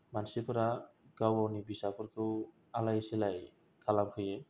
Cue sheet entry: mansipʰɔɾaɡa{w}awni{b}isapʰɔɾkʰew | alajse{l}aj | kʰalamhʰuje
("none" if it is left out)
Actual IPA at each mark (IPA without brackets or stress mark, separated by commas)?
w, b, l